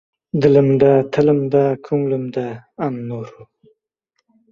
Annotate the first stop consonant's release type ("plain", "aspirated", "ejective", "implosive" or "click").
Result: plain